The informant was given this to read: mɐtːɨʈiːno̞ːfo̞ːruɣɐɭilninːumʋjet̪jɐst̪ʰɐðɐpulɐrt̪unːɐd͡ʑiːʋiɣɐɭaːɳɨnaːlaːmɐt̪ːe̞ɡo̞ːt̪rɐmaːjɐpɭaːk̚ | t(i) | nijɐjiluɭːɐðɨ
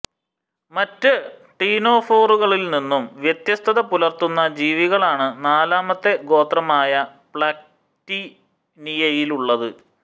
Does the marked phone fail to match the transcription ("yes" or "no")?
no